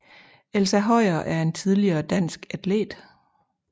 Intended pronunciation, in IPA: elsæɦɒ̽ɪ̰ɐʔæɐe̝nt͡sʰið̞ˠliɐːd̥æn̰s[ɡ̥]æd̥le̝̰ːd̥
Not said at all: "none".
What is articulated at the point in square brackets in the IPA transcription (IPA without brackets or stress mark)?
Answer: ɡ̥